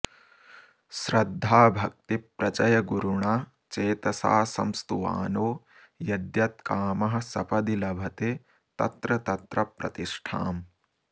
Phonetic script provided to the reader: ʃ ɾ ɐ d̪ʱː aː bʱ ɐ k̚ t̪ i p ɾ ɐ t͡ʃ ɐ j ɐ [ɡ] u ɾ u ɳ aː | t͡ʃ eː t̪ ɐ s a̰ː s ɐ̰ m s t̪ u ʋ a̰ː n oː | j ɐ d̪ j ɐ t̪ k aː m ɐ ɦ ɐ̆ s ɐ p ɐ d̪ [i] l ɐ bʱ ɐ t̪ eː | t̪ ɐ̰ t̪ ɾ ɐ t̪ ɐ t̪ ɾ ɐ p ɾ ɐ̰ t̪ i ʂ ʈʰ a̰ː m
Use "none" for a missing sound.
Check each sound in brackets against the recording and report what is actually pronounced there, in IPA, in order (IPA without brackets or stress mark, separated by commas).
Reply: ɡ, i